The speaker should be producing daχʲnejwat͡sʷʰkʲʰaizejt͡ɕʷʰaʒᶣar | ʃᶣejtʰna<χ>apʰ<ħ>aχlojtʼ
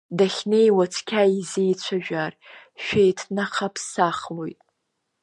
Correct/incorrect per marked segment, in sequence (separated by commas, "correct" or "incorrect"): correct, incorrect